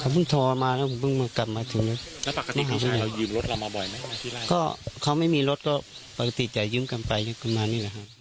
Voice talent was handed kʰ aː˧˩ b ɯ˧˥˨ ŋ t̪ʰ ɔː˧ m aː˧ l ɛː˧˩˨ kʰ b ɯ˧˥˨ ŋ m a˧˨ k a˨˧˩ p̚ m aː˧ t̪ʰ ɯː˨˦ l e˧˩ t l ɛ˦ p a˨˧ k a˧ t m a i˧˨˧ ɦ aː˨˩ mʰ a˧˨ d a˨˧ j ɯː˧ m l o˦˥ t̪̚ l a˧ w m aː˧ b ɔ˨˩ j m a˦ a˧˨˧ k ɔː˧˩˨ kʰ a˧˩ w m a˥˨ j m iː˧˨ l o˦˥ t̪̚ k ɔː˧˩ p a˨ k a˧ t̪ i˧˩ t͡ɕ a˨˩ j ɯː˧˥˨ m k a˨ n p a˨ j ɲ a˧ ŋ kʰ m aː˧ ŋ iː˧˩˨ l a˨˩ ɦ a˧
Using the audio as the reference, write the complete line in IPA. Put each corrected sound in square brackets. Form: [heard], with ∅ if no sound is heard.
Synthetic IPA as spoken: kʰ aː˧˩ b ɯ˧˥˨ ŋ t̪ʰ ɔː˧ m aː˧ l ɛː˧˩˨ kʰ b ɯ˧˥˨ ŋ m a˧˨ k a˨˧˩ p̚ m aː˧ t̪ʰ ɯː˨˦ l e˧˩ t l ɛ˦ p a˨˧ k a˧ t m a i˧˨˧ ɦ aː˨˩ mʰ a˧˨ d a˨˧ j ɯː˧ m l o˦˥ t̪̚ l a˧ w m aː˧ b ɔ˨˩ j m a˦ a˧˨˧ k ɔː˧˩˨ kʰ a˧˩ w m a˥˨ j m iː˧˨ l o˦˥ t̪̚ k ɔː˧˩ p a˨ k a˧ t̪ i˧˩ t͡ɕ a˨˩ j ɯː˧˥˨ m k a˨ n p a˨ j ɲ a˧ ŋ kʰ m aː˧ [n] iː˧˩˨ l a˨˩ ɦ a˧